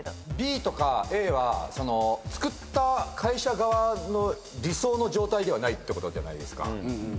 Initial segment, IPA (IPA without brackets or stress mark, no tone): bʲ